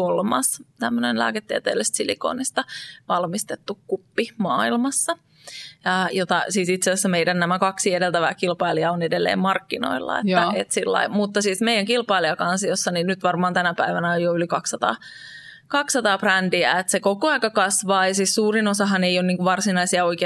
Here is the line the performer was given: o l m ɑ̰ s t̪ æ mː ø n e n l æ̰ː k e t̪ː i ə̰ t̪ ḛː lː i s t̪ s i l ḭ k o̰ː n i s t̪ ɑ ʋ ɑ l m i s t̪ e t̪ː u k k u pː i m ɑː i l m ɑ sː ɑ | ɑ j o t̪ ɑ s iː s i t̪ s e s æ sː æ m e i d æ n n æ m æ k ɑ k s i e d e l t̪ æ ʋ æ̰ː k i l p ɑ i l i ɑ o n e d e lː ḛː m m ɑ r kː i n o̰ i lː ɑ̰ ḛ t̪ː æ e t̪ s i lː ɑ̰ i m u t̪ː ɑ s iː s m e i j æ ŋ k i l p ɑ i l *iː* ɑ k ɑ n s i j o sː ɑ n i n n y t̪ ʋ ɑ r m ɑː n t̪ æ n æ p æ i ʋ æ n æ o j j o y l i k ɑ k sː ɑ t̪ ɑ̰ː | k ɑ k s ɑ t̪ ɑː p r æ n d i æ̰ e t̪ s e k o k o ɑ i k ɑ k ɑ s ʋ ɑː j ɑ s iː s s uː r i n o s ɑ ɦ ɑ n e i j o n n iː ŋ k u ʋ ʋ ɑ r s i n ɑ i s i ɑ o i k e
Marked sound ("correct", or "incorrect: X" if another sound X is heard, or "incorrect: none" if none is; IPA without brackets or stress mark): incorrect: i